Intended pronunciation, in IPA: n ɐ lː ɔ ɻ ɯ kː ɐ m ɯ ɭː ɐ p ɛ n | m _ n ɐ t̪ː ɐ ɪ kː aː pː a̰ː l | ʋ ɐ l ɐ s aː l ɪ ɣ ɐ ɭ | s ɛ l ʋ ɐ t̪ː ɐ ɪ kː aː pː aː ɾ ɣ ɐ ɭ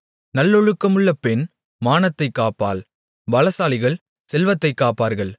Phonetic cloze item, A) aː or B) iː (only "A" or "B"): A